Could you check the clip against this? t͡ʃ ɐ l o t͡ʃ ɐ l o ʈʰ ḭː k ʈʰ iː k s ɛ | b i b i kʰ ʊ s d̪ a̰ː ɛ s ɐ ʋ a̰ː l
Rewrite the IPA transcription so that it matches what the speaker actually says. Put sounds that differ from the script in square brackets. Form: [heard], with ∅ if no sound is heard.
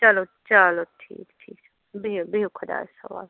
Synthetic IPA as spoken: t͡ʃ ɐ l o t͡ʃ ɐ l o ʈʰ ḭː k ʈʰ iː k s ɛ | b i b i kʰ ʊ [∅] d̪ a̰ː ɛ s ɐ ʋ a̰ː l